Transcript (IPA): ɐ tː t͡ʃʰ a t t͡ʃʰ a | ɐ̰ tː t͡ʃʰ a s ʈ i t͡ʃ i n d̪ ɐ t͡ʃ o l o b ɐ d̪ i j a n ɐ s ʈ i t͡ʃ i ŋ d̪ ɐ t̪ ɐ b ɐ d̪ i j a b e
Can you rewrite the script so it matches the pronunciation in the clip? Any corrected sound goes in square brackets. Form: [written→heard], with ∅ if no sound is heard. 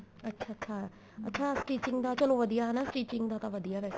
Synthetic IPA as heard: ɐ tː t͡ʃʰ a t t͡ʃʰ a | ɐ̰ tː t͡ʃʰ a s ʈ i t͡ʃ i [n→ŋ] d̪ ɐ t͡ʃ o l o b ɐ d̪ i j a n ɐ s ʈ i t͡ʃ i ŋ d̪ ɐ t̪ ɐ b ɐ d̪ i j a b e